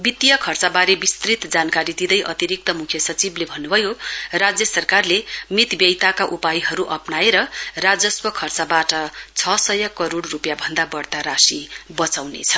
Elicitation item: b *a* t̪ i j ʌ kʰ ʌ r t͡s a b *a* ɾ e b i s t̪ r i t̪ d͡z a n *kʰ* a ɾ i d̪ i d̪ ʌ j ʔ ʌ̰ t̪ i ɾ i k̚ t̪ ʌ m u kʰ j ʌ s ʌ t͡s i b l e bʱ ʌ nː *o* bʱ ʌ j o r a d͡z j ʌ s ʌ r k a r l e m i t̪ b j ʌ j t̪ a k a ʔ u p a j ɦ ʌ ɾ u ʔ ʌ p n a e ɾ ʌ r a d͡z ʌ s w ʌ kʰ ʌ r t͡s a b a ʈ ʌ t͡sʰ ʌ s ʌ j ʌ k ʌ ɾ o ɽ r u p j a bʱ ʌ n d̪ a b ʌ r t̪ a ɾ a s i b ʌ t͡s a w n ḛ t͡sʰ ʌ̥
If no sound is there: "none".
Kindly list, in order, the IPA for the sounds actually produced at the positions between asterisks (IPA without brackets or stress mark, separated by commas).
i, a, k, u